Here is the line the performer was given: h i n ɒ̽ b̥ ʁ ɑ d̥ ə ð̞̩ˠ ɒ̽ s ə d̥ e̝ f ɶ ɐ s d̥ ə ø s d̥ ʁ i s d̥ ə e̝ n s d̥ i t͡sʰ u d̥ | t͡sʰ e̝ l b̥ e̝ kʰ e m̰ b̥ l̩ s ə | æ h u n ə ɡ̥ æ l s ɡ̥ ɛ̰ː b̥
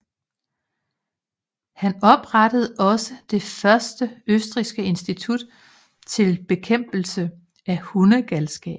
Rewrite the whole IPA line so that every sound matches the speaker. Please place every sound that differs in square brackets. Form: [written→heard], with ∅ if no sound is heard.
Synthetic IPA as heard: h [i→æ] n ɒ̽ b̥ ʁ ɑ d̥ ə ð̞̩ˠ ɒ̽ s ə d̥ e̝ f ɶ ɐ s d̥ ə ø s d̥ ʁ i s [d̥→ɡ̥] ə e̝ n s d̥ i t͡sʰ u d̥ | t͡sʰ e̝ l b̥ e̝ kʰ e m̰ b̥ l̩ s ə | æ h u n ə ɡ̥ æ l s ɡ̥ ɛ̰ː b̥